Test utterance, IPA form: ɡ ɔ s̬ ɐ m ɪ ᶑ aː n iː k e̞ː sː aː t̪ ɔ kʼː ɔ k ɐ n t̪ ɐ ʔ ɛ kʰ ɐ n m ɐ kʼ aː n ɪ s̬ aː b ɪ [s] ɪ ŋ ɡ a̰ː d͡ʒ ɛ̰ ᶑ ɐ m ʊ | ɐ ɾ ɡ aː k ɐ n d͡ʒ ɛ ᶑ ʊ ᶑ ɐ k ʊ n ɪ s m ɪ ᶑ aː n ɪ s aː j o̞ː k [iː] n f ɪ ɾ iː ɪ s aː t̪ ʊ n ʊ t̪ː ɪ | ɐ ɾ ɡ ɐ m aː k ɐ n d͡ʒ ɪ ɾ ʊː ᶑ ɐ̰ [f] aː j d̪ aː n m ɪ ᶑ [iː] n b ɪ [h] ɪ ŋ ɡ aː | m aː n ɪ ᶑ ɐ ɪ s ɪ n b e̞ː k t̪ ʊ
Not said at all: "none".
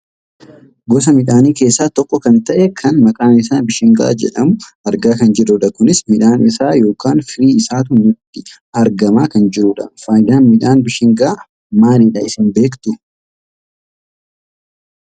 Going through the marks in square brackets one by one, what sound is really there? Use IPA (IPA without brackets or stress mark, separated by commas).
ʃ, aː, f, aː, ʃ